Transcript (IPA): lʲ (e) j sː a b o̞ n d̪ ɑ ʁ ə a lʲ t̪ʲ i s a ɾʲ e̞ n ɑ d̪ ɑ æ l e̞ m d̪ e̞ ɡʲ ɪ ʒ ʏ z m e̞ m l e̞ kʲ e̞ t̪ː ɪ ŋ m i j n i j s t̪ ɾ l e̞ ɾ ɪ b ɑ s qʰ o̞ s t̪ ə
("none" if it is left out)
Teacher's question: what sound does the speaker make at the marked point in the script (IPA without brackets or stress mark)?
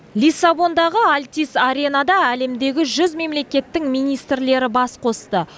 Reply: i